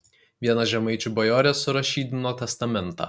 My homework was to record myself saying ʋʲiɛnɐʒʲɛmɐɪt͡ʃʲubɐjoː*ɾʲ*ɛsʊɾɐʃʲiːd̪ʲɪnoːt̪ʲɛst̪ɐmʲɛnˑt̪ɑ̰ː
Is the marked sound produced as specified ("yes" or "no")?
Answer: yes